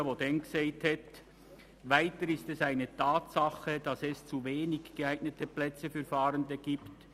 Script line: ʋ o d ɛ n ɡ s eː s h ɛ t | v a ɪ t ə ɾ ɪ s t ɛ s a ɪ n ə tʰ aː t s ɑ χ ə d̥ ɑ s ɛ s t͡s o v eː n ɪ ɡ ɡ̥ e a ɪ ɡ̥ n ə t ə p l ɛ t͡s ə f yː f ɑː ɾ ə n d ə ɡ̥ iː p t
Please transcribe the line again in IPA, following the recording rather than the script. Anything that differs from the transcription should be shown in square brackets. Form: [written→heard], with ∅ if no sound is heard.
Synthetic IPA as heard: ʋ o d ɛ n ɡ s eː [s→t] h ɛ t | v a ɪ t ə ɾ ɪ s t ɛ s a ɪ n ə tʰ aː t s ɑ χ ə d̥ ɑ s ɛ s t͡s [o→u] v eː n ɪ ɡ ɡ̥ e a ɪ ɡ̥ n ə t ə p l ɛ t͡s ə f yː f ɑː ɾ ə n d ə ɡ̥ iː p t